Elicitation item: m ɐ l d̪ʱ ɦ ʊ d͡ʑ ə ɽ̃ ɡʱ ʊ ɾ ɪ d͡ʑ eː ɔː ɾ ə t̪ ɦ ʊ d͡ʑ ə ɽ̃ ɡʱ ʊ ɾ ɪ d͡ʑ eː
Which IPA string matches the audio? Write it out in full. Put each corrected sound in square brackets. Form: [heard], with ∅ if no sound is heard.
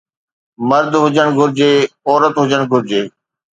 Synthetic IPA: m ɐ [ɾ] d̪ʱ ɦ ʊ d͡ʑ ə ɽ̃ ɡʱ ʊ ɾ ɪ d͡ʑ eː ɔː ɾ ə t̪ ɦ ʊ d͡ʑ ə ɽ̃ ɡʱ ʊ ɾ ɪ d͡ʑ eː